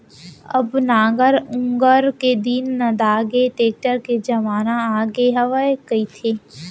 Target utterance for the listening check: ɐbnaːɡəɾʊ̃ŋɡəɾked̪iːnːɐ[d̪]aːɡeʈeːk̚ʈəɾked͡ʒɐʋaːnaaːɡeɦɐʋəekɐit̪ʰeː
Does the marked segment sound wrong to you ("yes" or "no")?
no